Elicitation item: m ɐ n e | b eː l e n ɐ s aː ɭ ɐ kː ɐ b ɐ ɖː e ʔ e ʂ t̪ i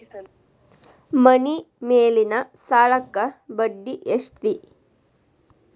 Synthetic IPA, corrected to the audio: m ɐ n i | m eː l i n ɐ s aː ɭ ɐ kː ɐ b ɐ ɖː i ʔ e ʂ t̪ i